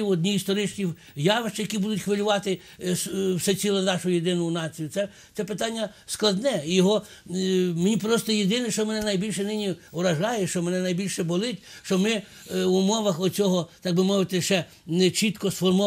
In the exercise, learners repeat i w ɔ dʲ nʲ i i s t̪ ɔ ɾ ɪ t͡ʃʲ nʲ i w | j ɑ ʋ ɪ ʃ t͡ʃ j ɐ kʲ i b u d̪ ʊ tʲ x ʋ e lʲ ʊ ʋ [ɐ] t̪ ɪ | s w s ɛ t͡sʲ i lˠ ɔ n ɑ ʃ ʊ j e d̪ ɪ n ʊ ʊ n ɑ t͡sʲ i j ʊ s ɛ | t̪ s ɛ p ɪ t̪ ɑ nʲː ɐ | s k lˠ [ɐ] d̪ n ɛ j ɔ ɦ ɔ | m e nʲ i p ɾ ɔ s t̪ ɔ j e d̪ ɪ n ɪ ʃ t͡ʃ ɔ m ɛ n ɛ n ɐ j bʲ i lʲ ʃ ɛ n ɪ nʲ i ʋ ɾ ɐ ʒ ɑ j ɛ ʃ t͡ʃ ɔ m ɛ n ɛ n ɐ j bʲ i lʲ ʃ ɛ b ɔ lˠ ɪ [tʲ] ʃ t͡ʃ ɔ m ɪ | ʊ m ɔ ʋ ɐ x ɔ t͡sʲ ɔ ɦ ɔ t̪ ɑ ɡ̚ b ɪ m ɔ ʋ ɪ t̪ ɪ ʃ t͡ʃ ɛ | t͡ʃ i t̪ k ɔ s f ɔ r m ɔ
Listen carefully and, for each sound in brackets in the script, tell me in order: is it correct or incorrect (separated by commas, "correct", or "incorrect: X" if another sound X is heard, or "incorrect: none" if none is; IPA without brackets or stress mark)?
incorrect: ɑ, correct, correct